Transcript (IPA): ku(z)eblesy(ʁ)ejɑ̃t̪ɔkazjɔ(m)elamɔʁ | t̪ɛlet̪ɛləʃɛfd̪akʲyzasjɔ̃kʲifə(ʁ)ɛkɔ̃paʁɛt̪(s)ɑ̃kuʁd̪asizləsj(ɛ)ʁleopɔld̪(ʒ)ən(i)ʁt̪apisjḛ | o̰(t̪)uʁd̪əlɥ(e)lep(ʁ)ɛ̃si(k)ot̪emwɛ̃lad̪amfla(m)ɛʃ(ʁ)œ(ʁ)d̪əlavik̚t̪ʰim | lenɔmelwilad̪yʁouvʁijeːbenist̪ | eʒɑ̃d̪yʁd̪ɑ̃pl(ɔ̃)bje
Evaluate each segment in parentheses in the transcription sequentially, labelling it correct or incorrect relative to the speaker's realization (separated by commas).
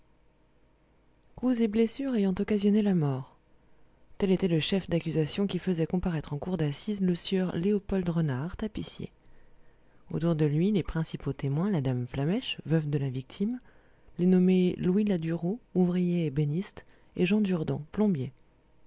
correct, correct, incorrect, incorrect, incorrect, incorrect, incorrect, incorrect, correct, incorrect, incorrect, incorrect, correct, incorrect, incorrect, correct